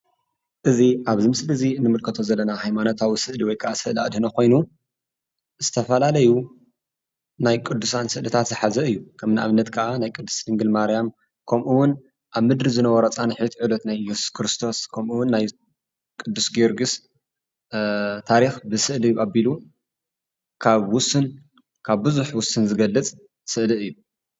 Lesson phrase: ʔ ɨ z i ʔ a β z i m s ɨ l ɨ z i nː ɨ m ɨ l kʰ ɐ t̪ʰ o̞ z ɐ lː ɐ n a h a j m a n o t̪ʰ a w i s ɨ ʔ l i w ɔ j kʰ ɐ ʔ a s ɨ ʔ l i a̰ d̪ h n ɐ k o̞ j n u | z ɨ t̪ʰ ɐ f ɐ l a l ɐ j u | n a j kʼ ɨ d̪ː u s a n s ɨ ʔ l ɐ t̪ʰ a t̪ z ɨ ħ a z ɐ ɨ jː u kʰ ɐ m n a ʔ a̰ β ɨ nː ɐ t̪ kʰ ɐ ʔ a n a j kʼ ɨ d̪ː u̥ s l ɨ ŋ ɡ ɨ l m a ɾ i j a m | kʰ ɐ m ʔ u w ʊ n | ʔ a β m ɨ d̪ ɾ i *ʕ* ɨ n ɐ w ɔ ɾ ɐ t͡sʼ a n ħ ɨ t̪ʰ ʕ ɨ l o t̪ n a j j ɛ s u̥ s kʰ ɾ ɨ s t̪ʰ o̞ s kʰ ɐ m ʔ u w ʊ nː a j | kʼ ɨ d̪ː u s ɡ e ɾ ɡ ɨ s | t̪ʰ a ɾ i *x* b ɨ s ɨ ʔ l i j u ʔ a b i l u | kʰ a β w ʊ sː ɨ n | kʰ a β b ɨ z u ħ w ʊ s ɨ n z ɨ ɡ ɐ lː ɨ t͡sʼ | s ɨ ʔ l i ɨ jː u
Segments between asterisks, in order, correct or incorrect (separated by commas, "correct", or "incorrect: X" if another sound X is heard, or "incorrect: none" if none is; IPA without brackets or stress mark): incorrect: z, correct